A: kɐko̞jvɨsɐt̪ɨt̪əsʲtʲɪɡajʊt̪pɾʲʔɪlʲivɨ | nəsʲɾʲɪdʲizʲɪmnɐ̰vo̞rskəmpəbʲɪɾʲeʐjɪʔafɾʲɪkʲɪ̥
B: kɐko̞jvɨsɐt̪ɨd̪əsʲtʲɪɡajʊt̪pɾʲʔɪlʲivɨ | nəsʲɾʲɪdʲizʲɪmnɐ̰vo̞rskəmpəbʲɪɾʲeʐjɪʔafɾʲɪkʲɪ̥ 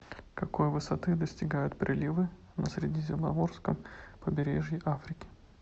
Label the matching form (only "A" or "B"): B